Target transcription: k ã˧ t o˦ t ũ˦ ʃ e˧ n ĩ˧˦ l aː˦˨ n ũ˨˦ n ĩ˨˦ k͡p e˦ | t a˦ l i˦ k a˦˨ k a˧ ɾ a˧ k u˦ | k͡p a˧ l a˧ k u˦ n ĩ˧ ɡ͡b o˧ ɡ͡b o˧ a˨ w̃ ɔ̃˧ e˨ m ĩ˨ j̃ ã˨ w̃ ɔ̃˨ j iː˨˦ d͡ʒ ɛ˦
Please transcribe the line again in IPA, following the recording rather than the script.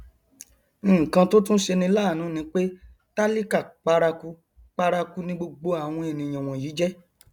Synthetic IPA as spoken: k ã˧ t o˦ t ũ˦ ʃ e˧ n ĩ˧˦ l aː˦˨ n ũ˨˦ n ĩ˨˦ k͡p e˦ | t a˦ l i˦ k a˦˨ k͡p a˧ ɾ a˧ k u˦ | k͡p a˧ ɾ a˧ k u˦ n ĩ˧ ɡ͡b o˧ ɡ͡b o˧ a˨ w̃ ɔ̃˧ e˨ n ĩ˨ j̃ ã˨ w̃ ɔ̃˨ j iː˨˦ d͡ʒ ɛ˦